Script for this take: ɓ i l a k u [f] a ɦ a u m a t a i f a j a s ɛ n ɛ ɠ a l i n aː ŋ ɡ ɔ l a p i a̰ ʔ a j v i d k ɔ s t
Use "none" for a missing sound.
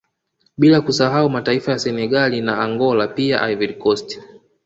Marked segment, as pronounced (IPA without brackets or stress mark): s